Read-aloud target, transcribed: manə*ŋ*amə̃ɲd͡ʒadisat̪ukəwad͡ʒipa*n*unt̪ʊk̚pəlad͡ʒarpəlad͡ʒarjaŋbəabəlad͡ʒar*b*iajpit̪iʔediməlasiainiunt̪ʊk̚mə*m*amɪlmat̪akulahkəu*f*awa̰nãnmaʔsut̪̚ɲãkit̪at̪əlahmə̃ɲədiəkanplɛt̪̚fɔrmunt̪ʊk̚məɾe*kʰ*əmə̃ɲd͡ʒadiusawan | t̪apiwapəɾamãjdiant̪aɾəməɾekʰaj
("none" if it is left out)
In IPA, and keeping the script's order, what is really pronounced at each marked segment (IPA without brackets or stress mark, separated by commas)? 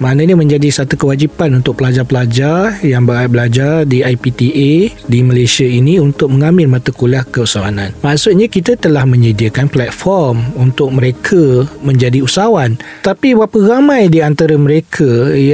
ɲ, n, d, ŋ, s, kʰ